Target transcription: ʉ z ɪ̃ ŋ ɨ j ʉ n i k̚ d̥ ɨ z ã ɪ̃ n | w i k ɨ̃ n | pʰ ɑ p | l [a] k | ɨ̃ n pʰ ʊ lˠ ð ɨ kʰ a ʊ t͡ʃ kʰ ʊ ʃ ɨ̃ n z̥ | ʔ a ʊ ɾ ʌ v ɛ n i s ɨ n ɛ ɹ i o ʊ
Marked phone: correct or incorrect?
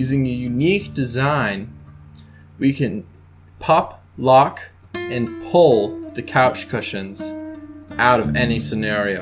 incorrect